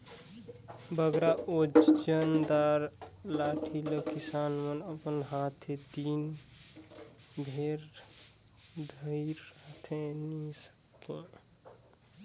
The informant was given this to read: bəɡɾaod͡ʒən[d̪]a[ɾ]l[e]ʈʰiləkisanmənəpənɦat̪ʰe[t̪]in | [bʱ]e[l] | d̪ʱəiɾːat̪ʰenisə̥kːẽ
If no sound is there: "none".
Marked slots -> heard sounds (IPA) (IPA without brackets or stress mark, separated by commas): d̪, ɾ, a, d̪, bʱ, ɾ